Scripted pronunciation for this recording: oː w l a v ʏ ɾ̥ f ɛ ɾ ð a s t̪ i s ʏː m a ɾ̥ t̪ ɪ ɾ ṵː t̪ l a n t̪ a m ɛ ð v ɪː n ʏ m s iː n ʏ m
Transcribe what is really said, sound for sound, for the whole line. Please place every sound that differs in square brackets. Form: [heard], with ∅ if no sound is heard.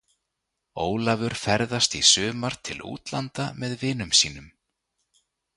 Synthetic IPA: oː w l a v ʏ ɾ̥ f ɛ ɾ ð a s t̪ i s ʏː m a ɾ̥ [t̪ʰ] ɪ [l] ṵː t̪ l a n t̪ a m ɛ ð v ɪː n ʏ m s iː n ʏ m